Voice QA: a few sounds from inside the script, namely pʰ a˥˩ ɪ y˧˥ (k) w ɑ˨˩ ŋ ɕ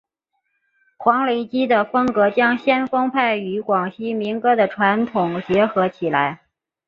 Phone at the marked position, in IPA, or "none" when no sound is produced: k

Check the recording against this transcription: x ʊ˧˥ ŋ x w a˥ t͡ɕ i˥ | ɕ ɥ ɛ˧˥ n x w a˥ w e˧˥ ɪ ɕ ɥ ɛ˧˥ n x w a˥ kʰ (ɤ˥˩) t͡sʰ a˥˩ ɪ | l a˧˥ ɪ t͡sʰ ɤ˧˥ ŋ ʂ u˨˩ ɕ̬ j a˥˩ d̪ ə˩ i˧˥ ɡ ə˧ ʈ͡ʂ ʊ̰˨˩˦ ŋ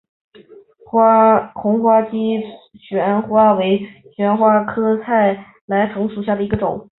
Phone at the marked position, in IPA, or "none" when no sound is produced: ɤ˥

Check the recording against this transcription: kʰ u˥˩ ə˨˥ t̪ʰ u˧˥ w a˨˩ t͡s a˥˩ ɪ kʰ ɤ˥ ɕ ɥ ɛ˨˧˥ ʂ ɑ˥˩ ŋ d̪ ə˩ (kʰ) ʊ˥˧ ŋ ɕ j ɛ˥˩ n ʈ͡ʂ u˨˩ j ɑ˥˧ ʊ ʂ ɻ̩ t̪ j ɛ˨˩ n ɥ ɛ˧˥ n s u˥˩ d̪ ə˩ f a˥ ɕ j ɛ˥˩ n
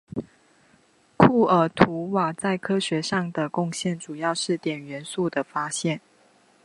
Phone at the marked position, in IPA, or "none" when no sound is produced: k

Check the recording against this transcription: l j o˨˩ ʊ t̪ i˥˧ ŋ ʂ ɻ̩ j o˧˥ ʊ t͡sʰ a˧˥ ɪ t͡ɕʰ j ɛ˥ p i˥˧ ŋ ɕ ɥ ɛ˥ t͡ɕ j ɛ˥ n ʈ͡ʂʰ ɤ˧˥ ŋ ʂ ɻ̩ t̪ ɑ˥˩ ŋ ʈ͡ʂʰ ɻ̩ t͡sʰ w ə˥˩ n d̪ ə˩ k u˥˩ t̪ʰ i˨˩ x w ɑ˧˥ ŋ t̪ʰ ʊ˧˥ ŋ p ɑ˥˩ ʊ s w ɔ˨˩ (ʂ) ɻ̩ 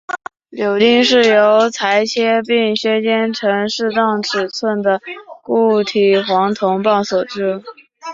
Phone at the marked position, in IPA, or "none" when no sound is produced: ʈ͡ʂ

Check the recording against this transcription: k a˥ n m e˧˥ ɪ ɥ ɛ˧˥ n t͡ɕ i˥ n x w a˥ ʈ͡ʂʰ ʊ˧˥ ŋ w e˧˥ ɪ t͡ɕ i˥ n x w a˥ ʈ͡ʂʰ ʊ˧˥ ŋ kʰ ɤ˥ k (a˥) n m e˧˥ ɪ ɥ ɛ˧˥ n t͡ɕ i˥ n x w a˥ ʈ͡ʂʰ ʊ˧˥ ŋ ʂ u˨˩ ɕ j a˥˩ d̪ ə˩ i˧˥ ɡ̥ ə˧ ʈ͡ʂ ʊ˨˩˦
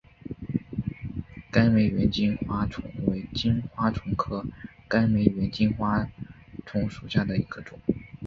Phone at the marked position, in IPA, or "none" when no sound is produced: a˥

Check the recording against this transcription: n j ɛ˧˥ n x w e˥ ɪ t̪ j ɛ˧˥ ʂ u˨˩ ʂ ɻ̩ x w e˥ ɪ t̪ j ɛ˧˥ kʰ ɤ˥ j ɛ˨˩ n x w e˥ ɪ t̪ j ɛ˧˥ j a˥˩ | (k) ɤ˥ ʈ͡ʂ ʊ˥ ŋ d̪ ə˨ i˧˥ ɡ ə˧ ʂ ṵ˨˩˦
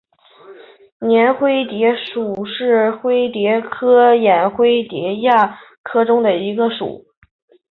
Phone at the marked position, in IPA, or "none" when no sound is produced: kʰ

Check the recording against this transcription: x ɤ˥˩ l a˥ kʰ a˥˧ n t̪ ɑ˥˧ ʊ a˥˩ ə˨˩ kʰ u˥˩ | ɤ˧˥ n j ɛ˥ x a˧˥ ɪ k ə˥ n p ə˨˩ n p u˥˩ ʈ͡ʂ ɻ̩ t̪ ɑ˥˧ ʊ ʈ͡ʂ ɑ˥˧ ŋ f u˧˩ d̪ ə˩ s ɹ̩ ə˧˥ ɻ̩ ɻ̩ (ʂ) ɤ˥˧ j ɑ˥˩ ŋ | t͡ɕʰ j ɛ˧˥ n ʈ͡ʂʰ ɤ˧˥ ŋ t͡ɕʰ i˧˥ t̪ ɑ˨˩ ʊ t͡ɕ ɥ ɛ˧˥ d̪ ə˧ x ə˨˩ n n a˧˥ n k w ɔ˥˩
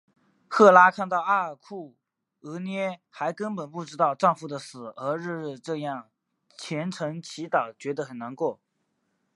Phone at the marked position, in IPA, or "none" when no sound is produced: ʈ͡ʂ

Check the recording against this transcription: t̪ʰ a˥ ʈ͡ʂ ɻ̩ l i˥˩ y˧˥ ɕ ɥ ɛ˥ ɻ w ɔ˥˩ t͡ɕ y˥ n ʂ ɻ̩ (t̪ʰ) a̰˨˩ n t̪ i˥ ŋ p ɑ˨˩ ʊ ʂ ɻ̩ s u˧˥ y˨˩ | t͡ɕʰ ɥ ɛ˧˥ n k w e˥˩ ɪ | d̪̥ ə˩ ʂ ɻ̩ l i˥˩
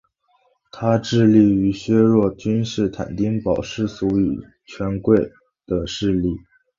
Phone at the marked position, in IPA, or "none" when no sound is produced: t̪ʰ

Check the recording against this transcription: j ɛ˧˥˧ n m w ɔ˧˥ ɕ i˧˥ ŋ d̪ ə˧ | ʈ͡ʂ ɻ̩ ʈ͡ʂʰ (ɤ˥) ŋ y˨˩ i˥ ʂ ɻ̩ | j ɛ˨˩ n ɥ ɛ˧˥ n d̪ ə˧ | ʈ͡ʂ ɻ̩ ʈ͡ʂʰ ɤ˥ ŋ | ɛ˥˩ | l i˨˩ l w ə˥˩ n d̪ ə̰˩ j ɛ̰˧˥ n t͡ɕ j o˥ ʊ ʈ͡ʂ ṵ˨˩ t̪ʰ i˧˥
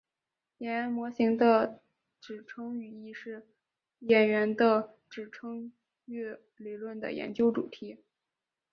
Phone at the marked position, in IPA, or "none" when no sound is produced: ɤ˥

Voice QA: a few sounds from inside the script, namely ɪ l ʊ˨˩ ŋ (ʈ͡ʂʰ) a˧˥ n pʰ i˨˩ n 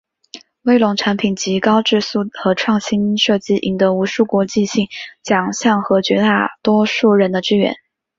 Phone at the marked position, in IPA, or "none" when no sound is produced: ʈ͡ʂʰ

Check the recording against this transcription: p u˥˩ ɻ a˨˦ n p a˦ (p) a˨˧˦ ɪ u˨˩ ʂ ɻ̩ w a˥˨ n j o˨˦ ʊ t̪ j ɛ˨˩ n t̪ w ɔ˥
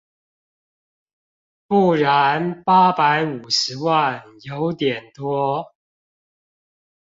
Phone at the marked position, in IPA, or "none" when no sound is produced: p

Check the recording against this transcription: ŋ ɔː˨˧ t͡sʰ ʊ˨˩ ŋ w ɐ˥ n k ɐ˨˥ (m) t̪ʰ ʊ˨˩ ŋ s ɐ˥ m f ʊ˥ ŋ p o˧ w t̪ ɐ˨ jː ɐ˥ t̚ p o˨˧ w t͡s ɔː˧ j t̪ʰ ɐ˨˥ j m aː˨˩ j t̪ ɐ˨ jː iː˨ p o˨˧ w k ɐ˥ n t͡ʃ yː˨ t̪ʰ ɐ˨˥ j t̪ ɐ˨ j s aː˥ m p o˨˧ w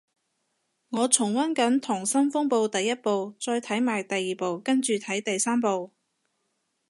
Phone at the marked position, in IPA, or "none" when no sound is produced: n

